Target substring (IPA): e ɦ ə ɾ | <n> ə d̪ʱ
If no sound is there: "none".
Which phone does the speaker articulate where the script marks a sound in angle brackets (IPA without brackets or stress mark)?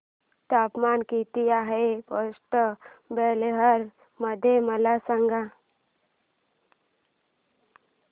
m